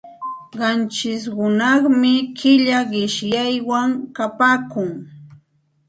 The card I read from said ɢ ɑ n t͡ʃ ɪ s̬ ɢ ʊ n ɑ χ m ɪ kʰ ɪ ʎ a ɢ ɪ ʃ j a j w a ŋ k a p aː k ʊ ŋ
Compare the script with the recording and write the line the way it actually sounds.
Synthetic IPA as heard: ɢ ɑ n t͡ʃ ɪ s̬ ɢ ʊ n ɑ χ m ɪ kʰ ɪ ʎ a ɢ ɪ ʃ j a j w a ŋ k a p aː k ʊ ŋ